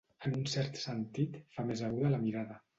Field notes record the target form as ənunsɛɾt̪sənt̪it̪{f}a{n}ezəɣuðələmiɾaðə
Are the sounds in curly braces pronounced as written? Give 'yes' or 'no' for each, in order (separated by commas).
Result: yes, no